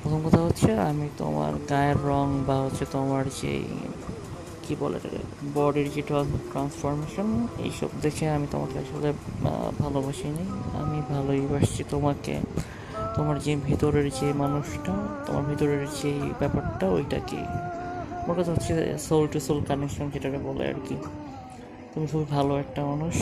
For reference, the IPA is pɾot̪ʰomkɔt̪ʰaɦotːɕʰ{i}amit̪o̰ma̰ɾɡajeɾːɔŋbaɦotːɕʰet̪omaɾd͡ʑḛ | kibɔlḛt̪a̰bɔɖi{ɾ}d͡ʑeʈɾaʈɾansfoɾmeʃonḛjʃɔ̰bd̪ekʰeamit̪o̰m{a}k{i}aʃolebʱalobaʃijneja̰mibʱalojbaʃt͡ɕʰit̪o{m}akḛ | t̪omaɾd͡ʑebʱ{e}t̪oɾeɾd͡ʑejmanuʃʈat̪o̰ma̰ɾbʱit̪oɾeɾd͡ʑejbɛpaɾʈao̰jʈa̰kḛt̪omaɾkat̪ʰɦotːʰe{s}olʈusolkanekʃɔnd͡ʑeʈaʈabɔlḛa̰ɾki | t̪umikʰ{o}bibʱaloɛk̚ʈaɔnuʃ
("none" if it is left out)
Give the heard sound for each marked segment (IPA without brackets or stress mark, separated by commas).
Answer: e, ɾ, a, e, m, i, s, u